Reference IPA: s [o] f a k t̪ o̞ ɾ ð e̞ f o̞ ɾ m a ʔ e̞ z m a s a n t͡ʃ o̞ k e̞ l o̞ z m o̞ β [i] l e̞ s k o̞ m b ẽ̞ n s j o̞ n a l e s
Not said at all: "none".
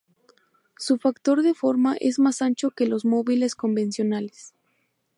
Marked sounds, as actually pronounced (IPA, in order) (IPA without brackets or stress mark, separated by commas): u, i